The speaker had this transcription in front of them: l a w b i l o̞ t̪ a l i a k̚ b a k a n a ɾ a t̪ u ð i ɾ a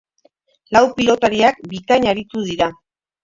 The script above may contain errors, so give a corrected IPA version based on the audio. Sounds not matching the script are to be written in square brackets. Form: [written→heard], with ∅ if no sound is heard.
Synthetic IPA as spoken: l a w [b→p] i l o̞ t̪ a [l→ɾ] i a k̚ b [a→i] k a [n→ɲ] a ɾ [a→i] t̪ u ð i ɾ a